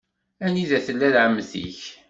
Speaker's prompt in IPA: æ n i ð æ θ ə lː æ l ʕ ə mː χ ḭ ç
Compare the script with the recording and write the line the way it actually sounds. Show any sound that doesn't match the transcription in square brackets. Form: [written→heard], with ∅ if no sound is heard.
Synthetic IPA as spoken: æ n i ð æ θ ə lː æ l ʕ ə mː [χ→θ] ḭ ç